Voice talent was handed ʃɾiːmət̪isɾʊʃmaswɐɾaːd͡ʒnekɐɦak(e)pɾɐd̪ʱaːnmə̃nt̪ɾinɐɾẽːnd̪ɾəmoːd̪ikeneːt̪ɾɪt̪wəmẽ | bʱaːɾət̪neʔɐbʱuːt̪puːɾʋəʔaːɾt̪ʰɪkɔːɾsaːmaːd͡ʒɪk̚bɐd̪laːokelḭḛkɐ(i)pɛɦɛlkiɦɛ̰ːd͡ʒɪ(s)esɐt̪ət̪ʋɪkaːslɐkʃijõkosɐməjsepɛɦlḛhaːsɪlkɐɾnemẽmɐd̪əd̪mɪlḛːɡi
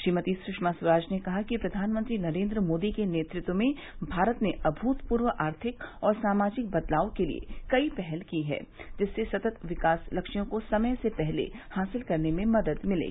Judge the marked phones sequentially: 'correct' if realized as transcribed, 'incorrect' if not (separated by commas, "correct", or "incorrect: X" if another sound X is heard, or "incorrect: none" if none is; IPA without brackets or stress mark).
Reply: incorrect: i, correct, incorrect: sː